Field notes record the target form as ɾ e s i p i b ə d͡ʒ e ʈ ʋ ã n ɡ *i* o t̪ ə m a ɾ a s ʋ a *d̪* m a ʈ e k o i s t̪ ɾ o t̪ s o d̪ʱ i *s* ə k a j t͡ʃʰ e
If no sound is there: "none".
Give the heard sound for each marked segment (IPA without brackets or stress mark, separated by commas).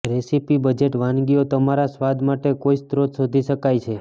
i, d̪, ʃ